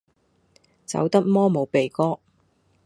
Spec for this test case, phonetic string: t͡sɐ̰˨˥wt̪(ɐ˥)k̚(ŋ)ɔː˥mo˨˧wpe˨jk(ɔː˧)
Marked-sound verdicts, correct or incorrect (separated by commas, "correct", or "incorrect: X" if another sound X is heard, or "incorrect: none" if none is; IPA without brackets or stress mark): correct, incorrect: m, incorrect: ɔː˥